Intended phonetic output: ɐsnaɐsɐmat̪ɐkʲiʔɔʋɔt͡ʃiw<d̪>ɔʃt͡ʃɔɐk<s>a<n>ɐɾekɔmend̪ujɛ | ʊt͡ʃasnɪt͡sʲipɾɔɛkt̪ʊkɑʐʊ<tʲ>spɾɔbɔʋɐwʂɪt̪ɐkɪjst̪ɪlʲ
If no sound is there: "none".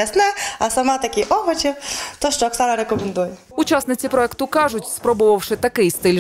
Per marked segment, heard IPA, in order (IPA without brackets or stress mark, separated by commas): t̪, s, n, tʲ